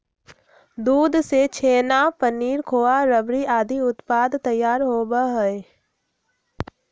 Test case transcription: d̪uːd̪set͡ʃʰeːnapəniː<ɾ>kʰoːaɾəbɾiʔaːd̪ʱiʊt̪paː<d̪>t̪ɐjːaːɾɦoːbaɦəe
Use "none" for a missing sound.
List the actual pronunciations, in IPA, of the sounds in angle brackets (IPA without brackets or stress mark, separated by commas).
ɾ, d̪